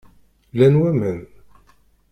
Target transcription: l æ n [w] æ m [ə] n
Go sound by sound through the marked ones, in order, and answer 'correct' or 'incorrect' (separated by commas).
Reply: correct, correct